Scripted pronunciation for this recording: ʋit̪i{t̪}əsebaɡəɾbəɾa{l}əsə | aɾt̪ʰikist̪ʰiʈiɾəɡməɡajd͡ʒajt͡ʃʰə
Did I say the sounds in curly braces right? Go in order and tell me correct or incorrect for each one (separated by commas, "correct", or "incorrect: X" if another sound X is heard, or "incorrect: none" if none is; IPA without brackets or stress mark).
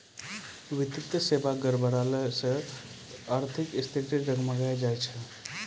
correct, correct